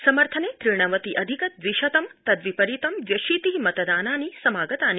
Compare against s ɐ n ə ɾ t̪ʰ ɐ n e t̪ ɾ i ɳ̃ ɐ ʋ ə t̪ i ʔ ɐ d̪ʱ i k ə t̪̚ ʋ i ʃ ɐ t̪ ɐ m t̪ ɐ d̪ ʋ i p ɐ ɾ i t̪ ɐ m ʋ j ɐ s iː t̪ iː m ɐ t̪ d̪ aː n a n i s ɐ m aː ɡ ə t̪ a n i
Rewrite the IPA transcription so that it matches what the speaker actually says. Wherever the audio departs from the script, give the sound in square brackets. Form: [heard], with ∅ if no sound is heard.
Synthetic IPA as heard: s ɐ [m] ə ɾ t̪ʰ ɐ n e t̪ ɾ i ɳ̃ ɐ ʋ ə t̪ i ʔ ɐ d̪ʱ i k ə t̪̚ ʋ i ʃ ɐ t̪ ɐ m t̪ ɐ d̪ ʋ i p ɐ ɾ i t̪ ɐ m ʋ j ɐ [ʃ] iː t̪ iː m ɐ t̪ d̪ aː n a n i s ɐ m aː ɡ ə t̪ a n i